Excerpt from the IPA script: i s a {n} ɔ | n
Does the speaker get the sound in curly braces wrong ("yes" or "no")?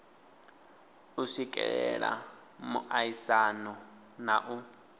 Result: no